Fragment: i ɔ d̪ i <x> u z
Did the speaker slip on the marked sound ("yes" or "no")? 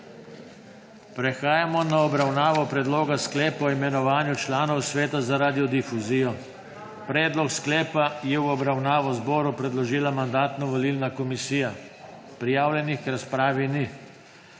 yes